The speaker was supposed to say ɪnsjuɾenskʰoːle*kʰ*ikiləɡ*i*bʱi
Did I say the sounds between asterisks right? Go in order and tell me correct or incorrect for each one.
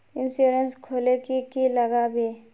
incorrect, incorrect

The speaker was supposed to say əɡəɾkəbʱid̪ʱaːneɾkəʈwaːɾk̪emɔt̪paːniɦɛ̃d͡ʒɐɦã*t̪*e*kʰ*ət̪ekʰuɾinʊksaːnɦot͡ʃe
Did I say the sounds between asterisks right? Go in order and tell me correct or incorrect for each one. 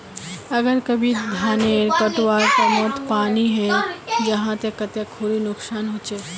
correct, incorrect

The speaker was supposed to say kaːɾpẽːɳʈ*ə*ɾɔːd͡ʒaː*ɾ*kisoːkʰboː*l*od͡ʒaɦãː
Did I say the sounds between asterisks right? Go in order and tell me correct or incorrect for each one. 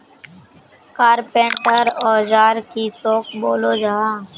correct, correct, correct

